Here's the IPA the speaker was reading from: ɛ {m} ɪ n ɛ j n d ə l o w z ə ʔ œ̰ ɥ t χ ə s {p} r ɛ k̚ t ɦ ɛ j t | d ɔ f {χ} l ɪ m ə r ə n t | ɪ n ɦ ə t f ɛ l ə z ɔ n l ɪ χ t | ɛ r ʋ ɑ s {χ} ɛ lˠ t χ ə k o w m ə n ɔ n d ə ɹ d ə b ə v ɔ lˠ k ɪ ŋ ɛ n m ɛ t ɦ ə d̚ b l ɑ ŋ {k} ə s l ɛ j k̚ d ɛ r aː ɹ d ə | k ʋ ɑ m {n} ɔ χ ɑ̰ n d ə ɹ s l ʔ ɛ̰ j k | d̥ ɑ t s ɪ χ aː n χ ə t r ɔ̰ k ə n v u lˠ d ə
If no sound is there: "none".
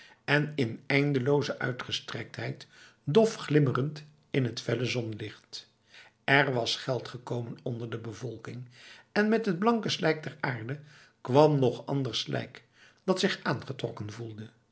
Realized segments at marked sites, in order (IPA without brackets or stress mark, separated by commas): n, t, χ, χ, k, n